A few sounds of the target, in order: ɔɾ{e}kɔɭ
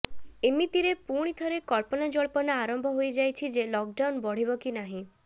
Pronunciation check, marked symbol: correct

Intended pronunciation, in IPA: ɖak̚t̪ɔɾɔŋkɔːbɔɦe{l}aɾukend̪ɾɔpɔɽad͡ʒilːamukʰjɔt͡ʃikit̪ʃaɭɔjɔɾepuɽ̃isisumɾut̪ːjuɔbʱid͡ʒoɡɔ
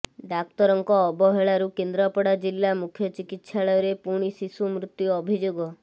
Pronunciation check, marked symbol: incorrect: ɭ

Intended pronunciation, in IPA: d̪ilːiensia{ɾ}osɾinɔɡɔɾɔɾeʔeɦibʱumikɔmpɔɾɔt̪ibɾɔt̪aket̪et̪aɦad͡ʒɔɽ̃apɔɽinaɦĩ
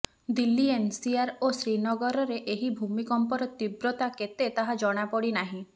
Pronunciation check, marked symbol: correct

